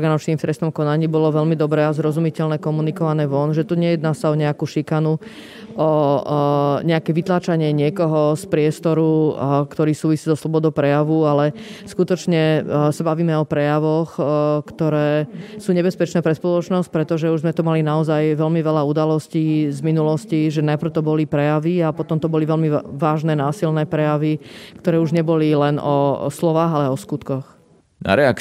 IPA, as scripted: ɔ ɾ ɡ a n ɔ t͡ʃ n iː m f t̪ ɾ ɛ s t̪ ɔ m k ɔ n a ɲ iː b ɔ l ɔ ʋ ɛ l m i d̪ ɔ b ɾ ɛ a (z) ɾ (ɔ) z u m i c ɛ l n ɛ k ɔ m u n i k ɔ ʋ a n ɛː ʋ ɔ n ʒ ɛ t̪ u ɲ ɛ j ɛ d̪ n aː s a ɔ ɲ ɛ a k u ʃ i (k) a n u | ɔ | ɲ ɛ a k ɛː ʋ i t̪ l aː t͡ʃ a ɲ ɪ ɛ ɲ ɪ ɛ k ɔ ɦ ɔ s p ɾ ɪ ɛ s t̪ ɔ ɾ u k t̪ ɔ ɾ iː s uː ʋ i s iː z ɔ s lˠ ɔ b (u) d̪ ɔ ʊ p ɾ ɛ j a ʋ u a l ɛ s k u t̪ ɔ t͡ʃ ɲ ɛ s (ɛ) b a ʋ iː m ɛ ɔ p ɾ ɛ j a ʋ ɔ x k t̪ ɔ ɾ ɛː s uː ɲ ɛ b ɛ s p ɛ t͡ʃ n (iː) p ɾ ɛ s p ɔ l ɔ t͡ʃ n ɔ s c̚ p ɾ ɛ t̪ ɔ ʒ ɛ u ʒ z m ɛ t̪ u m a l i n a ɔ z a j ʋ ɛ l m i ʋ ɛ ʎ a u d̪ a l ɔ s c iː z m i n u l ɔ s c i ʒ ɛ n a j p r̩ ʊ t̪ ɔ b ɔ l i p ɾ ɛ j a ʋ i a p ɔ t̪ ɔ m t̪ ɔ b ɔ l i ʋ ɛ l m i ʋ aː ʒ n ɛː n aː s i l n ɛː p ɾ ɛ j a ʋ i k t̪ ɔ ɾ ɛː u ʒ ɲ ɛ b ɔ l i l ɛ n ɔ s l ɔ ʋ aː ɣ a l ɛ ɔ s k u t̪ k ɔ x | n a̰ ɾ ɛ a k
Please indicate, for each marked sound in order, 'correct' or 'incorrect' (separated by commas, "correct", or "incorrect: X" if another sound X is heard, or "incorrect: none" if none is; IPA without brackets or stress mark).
correct, correct, correct, incorrect: ɔ, incorrect: a, incorrect: ɛː